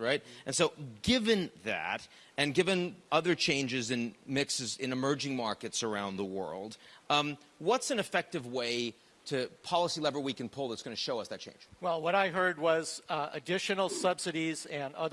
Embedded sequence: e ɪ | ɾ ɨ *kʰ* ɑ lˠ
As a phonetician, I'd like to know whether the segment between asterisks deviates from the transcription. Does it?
yes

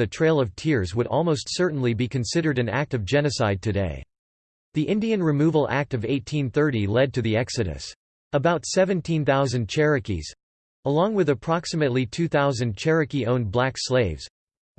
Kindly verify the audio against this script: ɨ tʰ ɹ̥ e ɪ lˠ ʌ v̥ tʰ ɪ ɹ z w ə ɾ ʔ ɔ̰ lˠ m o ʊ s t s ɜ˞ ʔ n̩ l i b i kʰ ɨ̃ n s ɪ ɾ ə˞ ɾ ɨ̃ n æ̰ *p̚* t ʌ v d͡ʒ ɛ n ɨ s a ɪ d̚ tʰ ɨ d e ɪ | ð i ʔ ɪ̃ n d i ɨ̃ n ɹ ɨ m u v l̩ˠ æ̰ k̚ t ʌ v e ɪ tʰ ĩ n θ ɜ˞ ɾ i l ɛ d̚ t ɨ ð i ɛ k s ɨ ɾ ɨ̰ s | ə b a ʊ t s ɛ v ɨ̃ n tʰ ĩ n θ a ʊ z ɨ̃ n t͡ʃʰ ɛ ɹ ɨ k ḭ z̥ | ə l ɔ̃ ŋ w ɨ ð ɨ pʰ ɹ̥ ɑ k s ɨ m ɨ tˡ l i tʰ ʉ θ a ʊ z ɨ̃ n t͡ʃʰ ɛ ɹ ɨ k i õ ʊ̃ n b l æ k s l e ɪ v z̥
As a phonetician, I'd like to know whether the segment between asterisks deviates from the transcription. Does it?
yes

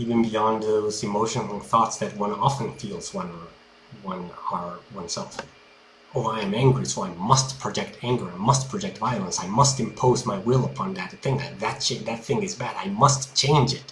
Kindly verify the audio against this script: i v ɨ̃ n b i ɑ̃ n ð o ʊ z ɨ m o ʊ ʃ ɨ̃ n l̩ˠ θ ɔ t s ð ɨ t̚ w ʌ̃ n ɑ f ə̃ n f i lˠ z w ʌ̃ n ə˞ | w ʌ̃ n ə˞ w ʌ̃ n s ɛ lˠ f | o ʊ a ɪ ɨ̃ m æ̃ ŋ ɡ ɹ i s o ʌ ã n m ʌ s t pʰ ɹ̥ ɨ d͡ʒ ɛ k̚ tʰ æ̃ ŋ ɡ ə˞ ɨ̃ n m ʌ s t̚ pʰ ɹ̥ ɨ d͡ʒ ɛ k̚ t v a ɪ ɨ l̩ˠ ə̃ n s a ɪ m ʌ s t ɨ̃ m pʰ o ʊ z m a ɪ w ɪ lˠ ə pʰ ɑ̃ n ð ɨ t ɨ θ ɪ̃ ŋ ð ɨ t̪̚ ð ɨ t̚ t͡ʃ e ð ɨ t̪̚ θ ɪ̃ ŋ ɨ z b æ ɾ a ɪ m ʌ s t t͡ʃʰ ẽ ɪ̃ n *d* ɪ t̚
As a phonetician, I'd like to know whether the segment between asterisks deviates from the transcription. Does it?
yes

